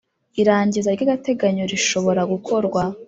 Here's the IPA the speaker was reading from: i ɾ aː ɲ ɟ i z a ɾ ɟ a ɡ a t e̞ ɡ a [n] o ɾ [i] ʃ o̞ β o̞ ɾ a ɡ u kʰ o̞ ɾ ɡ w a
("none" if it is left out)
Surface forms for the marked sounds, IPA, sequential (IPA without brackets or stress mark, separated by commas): ɲ, i